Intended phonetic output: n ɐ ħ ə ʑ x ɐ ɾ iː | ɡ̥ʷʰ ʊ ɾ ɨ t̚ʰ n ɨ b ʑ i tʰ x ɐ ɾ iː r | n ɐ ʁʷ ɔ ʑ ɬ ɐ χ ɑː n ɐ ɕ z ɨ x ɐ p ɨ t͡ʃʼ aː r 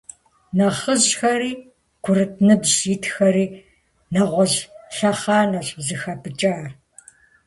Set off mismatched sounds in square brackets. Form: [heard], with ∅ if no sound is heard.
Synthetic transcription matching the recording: n ɐ [χ] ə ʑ x ɐ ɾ iː | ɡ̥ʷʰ ʊ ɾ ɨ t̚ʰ n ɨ b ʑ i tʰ x ɐ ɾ iː [∅] | n ɐ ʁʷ ɔ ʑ ɬ ɐ χ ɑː n ɐ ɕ z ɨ x ɐ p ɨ t͡ʃʼ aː r